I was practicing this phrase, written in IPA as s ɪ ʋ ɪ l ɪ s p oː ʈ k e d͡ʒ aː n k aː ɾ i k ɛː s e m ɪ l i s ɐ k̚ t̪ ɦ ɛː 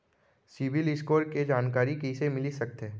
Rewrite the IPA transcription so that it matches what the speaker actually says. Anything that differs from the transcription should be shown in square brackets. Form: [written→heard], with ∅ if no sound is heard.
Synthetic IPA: s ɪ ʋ ɪ l ɪ s [p→k] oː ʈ k e d͡ʒ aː n k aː ɾ i k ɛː s e m ɪ l i s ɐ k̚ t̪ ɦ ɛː

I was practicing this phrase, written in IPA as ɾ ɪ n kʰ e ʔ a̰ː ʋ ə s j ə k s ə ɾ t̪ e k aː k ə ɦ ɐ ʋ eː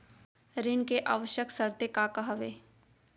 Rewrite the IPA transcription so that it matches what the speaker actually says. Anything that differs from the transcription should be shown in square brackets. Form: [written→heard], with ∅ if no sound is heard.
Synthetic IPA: ɾ ɪ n [kʰ→k] e ʔ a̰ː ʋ ə [s→ʃ] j ə k s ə ɾ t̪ e k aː k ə ɦ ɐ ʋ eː

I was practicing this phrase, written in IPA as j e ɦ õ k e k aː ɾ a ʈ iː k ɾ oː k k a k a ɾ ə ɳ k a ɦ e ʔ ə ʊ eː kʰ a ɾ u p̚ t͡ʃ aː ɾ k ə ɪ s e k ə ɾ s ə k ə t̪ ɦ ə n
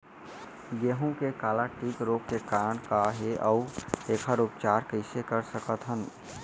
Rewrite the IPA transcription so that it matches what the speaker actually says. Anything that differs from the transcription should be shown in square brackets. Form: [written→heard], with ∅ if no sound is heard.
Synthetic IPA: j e ɦ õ k e k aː [ɾ→l] a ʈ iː k ɾ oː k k [a→e] k a ɾ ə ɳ k a ɦ e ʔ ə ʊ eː kʰ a ɾ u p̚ t͡ʃ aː ɾ k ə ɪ s e k ə ɾ s ə k ə t̪ ɦ ə n

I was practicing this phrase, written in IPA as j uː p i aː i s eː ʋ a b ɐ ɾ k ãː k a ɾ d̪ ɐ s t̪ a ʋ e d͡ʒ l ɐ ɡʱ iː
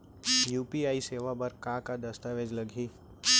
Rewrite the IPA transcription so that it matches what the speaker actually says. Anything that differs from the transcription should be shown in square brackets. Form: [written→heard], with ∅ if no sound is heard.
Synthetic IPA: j uː p i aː i s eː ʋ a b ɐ ɾ k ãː k a [ɾ→∅] d̪ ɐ s t̪ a ʋ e d͡ʒ l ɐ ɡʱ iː

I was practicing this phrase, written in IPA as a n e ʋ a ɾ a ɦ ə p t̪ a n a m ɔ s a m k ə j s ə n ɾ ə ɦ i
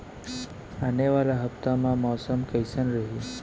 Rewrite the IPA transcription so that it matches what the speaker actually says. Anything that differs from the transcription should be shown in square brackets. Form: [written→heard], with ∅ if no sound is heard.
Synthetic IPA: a n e ʋ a [ɾ→l] a ɦ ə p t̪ a [n→m] a m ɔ s [a→ə] m k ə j s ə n ɾ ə ɦ i

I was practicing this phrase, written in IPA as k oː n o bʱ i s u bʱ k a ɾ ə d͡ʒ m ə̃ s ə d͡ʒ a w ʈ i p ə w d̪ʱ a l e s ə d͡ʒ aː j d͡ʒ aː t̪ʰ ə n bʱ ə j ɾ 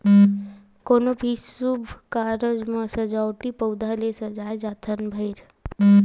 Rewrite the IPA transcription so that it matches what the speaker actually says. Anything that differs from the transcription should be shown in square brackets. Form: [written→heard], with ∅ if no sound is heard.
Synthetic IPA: k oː n o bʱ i s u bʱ k a ɾ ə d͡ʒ m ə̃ s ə d͡ʒ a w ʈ i p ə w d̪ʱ a l e s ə d͡ʒ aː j d͡ʒ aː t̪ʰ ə n bʱ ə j ɾ

